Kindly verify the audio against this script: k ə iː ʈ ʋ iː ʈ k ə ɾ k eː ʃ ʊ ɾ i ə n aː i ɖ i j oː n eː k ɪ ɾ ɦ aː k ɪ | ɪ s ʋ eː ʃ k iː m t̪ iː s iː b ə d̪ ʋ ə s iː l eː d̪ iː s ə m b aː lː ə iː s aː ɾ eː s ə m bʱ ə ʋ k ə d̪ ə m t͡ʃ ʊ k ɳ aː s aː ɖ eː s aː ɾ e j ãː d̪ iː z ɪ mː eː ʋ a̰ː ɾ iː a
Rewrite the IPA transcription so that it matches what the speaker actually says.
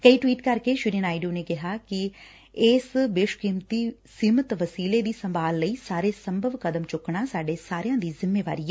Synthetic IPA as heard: k ə iː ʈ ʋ iː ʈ k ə ɾ k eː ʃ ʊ ɾ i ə n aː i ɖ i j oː n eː k ɪ ɦ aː k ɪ | ɪ s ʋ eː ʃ k iː m t̪ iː s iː m ə t̪ ʋ ə s iː l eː d̪ iː s ə m b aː lː ə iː s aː ɾ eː s ə m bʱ ə ʋ k ə d̪ ə m t͡ʃ ʊ k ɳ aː s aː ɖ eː s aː ɾ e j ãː d̪ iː z ɪ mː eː ʋ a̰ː ɾ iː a